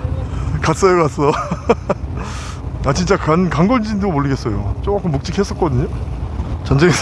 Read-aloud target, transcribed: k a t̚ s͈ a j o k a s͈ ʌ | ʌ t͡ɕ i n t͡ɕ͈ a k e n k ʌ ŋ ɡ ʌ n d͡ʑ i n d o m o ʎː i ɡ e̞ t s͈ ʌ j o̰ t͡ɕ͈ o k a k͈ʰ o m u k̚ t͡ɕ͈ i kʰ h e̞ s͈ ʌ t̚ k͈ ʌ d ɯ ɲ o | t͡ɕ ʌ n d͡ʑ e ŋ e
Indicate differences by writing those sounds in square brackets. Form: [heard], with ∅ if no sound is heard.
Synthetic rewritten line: k a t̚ s͈ [ʌ] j o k a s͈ ʌ | [a] t͡ɕ i n t͡ɕ͈ a k [a] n k [a] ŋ ɡ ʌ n d͡ʑ i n d o m o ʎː i ɡ e̞ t s͈ ʌ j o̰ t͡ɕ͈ o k a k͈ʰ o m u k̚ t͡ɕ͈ i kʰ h e̞ s͈ ʌ t̚ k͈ ʌ d ɯ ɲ o | t͡ɕ ʌ n d͡ʑ e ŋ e